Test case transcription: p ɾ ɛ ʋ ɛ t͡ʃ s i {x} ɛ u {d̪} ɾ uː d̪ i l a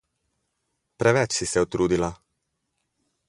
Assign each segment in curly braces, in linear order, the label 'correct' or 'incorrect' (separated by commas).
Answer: incorrect, incorrect